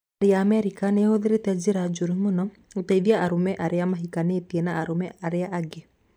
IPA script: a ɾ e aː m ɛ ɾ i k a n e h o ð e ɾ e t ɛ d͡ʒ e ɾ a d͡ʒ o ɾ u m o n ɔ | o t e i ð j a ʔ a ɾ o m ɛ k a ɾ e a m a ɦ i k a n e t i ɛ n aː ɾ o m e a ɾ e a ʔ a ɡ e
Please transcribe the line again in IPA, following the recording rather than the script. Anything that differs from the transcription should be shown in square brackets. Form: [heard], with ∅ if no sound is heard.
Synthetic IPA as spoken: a ɾ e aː m ɛ ɾ i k a n e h o ð e ɾ e t ɛ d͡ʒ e ɾ a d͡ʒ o ɾ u m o n ɔ | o t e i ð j a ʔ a ɾ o m ɛ [ʔ] a ɾ e a m a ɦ i k a n e t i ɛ n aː ɾ o m [ɛ] a ɾ e a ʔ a ɡ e